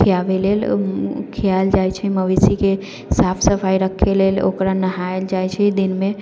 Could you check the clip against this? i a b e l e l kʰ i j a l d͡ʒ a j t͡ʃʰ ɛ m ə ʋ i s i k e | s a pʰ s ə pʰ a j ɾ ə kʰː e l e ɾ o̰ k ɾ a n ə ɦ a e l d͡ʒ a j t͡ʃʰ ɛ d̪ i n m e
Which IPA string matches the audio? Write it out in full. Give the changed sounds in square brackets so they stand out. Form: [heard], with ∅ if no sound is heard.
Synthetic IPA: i a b e l e l kʰ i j a l d͡ʒ a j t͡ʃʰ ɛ m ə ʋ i s i k e | s a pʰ s ə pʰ a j ɾ ə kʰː e l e [l] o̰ k ɾ a n ə ɦ a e l d͡ʒ a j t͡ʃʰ ɛ d̪ i n m e